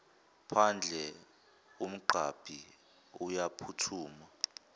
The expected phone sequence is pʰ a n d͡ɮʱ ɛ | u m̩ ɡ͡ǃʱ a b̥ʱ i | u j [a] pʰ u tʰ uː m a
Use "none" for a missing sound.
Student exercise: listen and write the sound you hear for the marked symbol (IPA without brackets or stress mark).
a